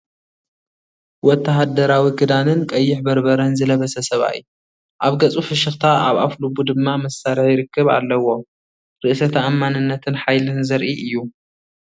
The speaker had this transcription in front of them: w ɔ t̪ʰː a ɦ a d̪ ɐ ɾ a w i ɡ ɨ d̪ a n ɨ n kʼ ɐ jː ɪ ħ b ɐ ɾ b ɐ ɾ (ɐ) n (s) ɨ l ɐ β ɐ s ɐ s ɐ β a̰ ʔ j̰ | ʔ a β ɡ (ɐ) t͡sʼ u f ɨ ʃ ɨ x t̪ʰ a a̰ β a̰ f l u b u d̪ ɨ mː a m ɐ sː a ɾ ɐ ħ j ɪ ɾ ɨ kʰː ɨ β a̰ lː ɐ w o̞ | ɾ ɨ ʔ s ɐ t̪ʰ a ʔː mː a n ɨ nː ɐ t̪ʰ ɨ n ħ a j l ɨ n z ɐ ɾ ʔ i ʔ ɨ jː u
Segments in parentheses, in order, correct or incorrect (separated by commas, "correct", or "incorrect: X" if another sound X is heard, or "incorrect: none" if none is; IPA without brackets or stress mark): correct, incorrect: z, correct